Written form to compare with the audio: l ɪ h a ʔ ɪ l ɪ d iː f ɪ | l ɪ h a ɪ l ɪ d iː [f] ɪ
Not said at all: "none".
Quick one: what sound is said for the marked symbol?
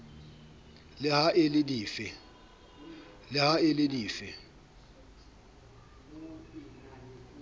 f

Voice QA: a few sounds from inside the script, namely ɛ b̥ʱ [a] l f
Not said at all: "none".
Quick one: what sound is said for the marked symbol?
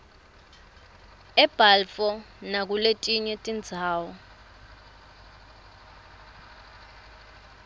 a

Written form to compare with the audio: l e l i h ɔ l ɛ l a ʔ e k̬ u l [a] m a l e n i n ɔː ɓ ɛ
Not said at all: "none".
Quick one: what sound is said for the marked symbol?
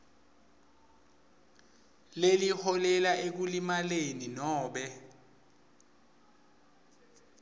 i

